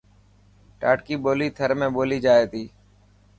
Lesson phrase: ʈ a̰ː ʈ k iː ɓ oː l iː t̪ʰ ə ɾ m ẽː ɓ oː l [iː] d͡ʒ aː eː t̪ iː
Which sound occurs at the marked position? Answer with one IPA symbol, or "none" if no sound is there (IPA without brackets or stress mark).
iː